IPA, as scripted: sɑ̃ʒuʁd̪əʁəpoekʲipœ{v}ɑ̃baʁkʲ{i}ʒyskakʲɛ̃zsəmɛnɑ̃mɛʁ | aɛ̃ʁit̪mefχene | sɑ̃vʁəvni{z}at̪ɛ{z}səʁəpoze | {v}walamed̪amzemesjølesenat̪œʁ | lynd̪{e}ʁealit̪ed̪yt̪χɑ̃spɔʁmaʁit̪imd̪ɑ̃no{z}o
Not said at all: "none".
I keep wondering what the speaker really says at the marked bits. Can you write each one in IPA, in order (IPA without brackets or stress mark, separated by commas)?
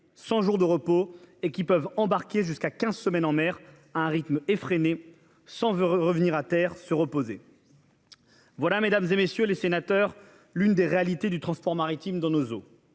v, e, ʁ, ʁ, v, e, z